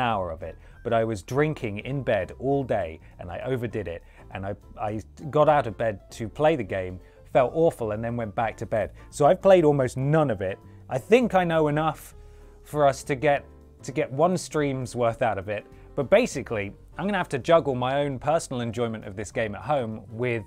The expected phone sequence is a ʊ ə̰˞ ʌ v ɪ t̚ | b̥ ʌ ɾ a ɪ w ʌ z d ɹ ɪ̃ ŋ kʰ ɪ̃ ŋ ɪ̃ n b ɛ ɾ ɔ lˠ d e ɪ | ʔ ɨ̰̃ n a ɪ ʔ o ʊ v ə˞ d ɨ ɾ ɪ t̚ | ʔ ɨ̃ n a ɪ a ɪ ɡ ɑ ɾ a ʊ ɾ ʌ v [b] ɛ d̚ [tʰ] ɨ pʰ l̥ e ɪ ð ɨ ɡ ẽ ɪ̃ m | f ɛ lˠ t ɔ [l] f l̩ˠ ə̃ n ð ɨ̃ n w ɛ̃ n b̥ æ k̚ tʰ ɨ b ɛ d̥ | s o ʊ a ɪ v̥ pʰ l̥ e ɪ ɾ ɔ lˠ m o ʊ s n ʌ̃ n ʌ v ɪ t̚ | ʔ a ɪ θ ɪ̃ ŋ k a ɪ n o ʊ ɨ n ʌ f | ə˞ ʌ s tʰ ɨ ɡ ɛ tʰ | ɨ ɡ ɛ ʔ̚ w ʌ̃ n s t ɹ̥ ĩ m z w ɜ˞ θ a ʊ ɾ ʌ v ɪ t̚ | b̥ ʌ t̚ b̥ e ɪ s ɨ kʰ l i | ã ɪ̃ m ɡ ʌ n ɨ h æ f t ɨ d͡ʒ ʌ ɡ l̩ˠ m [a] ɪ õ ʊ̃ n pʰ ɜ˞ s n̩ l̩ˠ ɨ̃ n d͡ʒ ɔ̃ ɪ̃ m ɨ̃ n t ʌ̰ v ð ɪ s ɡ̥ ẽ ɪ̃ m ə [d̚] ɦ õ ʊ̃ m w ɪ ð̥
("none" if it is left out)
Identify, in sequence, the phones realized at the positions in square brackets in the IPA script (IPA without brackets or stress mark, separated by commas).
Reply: b, tʰ, ɹ, a, t̚